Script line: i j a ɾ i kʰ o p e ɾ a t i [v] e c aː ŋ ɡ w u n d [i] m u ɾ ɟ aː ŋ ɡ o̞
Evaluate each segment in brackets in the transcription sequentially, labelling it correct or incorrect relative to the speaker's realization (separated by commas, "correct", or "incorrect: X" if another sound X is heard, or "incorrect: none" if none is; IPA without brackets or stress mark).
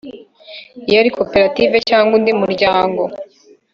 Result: correct, correct